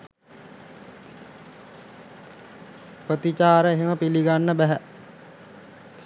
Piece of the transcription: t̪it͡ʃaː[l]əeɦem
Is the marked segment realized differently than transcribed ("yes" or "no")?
yes